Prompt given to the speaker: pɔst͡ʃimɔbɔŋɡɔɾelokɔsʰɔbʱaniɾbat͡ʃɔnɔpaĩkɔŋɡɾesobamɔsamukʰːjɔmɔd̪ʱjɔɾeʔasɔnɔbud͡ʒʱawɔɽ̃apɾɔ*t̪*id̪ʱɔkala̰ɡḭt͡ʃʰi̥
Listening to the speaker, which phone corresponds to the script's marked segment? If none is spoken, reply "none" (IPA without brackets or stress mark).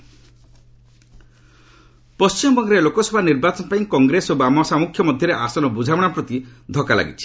t̪